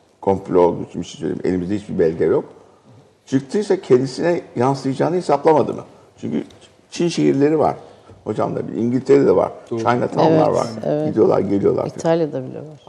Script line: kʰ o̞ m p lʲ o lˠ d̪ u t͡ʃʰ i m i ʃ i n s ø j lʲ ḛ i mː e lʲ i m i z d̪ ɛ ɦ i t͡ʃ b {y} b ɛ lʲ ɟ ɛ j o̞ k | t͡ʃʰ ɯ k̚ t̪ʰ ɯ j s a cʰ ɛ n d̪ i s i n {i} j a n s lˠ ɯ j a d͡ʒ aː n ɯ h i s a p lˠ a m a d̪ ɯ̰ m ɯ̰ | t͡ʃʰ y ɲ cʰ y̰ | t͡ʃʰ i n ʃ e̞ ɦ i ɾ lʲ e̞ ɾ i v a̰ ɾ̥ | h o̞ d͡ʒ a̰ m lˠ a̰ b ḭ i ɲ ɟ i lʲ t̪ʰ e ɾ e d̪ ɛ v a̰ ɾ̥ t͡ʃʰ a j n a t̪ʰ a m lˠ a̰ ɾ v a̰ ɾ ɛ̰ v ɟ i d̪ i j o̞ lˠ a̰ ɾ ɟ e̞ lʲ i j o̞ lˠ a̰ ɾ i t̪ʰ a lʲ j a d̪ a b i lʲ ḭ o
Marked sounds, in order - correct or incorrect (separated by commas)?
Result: incorrect, incorrect